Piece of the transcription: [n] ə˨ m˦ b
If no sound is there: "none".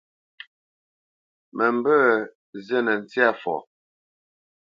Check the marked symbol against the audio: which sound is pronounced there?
m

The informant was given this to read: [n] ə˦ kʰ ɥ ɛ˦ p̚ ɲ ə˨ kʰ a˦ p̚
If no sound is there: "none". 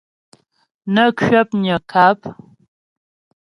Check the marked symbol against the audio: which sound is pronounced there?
n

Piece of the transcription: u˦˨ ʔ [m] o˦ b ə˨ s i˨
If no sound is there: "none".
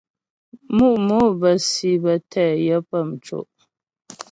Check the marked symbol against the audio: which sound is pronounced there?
m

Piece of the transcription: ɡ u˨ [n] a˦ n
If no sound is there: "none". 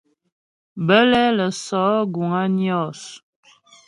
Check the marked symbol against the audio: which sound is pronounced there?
ŋ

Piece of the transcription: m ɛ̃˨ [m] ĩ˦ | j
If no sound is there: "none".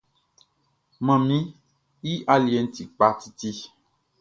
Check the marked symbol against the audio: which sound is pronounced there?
m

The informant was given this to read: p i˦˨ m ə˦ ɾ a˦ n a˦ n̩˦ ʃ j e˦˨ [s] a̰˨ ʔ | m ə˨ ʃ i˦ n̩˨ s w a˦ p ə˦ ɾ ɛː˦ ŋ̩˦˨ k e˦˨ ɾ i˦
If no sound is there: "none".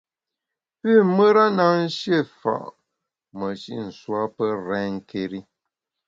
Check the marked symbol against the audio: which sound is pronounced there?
f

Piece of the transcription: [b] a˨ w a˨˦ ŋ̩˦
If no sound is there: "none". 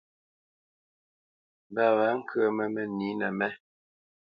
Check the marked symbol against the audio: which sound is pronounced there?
b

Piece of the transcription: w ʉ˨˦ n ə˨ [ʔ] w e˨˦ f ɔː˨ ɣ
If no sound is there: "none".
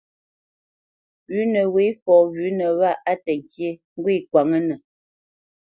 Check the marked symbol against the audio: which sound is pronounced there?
none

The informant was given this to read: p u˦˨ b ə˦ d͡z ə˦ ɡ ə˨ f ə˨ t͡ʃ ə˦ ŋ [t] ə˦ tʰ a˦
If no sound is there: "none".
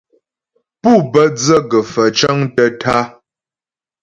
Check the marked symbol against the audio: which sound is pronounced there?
t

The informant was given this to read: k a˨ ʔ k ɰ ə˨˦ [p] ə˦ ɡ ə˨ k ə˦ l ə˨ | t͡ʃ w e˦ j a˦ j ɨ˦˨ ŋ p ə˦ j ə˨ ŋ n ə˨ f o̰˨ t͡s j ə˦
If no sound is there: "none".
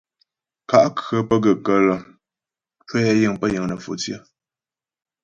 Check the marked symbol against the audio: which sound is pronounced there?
p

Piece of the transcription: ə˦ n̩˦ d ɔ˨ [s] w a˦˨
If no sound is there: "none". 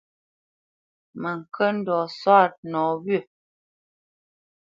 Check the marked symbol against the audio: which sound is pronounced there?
s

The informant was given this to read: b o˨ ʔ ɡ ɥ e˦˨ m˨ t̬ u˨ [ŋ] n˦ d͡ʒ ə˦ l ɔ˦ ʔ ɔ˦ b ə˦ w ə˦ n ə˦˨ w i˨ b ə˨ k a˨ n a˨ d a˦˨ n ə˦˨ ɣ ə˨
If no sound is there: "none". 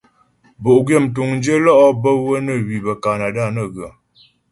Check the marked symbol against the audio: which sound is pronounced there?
ŋ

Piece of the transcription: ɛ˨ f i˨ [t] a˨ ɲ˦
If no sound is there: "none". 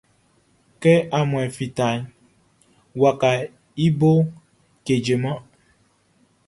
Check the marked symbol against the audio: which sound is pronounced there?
t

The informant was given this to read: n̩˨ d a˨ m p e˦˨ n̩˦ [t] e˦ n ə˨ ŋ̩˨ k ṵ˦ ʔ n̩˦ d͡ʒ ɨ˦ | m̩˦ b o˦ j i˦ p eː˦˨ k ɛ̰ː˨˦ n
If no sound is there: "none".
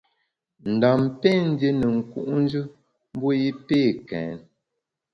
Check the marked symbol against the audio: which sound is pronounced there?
d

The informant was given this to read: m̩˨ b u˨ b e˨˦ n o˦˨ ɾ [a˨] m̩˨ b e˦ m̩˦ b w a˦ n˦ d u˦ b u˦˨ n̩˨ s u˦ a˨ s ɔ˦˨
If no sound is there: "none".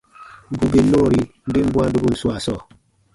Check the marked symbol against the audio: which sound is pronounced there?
i˨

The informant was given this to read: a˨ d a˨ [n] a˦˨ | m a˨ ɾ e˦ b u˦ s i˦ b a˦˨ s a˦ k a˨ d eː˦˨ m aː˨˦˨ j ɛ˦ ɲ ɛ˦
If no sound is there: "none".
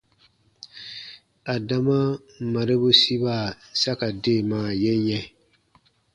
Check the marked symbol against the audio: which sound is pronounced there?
m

